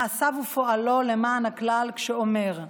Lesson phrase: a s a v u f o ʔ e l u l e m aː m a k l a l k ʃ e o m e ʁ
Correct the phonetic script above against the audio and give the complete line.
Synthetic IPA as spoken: a s a v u f o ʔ a l o l e m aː n a k l a l k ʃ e o m e ʁ